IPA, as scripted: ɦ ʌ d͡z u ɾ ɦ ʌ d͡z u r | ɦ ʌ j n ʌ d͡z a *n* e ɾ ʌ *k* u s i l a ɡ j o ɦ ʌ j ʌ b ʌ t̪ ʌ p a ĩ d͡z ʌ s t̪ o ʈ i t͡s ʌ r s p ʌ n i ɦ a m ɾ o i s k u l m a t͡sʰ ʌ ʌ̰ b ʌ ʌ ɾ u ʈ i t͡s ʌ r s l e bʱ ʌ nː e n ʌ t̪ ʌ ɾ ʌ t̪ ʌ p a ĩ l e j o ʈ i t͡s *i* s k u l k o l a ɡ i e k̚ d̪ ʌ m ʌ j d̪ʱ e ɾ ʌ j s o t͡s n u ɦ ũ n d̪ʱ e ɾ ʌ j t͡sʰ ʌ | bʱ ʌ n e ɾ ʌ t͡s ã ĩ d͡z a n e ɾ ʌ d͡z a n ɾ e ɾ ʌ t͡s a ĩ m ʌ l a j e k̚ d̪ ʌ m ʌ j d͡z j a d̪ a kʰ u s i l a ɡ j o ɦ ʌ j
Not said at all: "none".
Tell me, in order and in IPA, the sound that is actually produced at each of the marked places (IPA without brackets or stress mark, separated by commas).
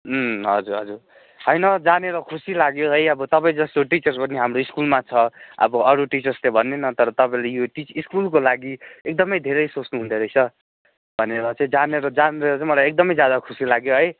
n, kʰ, i